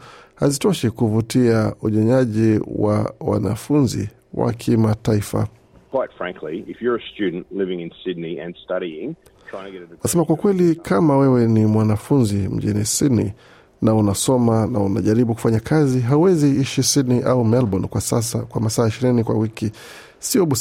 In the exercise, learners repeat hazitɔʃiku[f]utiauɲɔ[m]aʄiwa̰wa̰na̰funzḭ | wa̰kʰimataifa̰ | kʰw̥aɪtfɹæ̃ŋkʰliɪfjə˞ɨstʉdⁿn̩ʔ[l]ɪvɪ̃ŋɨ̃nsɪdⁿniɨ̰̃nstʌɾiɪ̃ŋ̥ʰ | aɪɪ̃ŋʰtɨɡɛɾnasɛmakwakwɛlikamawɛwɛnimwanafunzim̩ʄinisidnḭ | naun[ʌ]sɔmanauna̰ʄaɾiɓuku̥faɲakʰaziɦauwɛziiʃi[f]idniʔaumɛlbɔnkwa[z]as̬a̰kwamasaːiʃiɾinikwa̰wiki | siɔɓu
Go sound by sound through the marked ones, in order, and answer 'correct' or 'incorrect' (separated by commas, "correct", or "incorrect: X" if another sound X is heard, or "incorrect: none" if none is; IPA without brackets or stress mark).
incorrect: v, incorrect: ɲ, correct, incorrect: a, incorrect: s, incorrect: s